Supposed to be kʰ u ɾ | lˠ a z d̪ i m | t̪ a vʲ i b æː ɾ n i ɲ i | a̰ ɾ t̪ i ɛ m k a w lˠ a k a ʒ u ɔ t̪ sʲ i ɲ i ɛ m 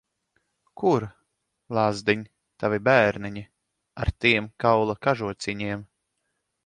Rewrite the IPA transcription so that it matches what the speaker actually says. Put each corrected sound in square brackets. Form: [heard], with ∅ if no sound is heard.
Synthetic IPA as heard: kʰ u ɾ | lˠ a z d̪ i [ɲ] | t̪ a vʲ i b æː ɾ n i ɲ i | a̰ ɾ t̪ i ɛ m k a w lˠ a k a ʒ u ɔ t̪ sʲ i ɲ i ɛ m